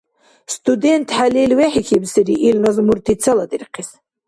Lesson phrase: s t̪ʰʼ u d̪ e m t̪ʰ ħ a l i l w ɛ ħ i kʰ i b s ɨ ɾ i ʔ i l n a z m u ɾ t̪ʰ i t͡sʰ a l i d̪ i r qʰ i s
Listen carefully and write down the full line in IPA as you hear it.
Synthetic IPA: s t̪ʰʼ u d̪ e n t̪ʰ ħ a l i l w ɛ ħ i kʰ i b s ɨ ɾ i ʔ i l n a z m u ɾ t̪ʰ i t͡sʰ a l a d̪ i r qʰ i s